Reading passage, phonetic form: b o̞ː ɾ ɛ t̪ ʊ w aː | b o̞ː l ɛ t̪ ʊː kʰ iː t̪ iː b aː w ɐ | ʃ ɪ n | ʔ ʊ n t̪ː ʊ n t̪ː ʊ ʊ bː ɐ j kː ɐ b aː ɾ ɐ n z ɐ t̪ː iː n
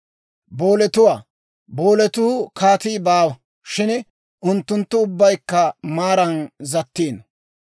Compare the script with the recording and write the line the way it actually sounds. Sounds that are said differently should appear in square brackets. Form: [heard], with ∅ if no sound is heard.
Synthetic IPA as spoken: b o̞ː [l] ɛ t̪ ʊ w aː | b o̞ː l ɛ t̪ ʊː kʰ [aː] t̪ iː b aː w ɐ | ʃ ɪ n | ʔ ʊ n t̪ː ʊ n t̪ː ʊ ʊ bː ɐ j kː ɐ [m] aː ɾ ɐ n z ɐ t̪ː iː n